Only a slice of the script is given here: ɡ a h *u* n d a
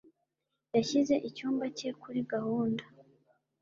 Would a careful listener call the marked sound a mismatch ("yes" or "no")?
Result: yes